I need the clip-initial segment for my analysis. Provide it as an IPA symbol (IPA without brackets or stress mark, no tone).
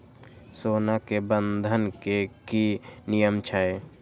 s